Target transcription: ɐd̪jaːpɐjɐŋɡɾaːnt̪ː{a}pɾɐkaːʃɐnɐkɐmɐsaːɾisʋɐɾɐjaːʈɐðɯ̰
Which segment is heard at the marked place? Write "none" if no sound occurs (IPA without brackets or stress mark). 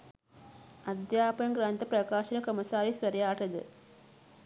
ɐ